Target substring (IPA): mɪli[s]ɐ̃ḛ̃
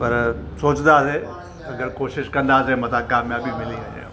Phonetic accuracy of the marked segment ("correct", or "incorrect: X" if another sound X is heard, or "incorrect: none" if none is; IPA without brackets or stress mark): incorrect: none